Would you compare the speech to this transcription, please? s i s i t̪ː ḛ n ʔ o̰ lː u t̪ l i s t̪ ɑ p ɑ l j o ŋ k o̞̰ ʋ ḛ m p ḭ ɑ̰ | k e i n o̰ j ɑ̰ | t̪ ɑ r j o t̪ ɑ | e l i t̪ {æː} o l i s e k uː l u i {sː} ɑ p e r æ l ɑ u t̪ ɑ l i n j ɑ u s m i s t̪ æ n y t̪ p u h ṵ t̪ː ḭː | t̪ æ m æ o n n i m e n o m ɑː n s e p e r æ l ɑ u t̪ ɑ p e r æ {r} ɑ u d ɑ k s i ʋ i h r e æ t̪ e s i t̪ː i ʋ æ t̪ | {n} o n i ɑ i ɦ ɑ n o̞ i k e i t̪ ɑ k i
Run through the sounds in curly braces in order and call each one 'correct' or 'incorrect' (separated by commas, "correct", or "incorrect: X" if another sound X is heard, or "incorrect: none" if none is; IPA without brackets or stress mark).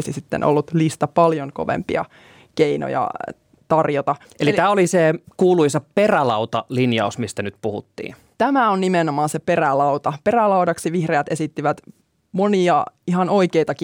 correct, incorrect: s, incorrect: l, incorrect: m